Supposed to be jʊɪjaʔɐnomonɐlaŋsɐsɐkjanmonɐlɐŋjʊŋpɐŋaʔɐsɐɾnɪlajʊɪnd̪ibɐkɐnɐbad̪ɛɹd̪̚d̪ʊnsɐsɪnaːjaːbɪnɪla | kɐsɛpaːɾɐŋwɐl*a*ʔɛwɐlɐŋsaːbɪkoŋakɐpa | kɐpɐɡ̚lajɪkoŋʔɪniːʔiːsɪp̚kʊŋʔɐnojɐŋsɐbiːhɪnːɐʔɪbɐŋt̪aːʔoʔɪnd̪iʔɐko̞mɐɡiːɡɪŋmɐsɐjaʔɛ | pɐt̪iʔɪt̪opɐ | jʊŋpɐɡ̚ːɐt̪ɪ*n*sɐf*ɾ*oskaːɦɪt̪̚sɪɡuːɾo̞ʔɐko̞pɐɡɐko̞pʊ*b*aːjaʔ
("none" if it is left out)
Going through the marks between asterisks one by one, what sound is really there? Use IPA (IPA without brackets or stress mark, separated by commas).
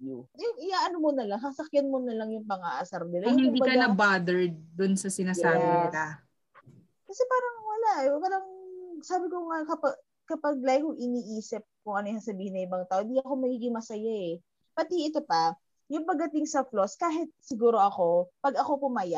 a, ŋ, l, m